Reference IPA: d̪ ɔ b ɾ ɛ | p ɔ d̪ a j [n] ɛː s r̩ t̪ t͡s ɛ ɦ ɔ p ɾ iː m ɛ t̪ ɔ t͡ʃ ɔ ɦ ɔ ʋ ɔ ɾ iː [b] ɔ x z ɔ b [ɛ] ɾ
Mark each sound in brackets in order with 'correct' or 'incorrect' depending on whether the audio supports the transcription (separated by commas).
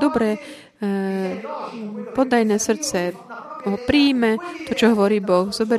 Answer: correct, correct, correct